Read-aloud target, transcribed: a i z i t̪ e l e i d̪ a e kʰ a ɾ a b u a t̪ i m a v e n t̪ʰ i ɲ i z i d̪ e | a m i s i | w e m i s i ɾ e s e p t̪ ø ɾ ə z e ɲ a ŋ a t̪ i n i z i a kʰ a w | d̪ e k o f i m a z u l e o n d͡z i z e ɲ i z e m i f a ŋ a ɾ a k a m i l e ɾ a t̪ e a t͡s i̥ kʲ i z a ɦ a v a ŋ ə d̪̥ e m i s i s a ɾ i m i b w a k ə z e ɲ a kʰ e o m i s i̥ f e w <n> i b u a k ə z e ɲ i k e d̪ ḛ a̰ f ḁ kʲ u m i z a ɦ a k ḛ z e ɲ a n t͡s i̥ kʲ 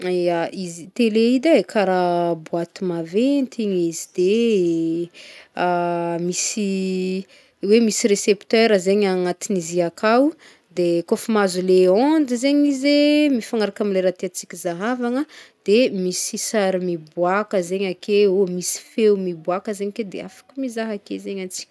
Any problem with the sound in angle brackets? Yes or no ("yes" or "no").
yes